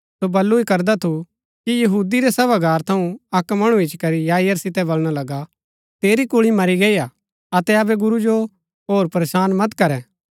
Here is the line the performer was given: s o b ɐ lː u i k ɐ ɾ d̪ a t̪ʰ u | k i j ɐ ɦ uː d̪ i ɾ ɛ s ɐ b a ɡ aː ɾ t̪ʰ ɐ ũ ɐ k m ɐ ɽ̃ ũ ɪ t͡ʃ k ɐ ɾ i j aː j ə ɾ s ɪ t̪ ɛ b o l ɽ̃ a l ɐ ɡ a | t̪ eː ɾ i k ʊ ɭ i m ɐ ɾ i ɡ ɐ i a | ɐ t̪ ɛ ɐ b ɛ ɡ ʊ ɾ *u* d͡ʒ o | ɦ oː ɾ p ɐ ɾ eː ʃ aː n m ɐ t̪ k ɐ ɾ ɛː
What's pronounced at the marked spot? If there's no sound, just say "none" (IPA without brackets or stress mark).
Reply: u